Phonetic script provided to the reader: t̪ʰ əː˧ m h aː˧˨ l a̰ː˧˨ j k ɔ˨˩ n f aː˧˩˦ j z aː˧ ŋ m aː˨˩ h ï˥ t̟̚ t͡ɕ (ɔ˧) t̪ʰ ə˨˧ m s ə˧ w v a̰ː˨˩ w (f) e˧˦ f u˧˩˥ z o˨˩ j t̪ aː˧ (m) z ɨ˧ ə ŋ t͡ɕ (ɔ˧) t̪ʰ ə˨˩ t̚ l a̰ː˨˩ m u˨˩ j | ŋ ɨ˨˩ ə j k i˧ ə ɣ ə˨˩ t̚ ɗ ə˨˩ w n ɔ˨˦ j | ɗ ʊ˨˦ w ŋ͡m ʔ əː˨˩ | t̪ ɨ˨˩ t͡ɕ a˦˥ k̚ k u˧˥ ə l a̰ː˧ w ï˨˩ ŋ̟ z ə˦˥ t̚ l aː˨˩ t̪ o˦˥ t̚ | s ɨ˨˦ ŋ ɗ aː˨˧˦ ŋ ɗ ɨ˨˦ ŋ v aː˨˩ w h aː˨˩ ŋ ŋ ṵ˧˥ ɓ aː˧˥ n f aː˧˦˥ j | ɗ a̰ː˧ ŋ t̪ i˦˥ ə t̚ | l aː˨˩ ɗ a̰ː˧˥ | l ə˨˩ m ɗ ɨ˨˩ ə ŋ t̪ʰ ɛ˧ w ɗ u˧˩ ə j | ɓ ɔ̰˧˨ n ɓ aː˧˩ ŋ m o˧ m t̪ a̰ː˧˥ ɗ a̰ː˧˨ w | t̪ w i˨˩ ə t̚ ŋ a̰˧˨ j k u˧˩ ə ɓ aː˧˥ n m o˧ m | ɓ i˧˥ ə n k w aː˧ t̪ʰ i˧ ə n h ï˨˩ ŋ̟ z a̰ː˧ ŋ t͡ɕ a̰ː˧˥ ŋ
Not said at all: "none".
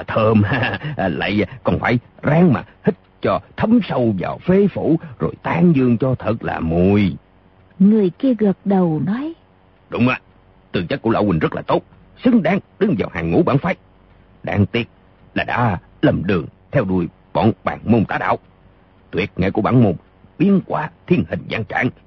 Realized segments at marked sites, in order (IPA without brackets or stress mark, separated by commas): ɔ˧, f, ŋ, ɔ˧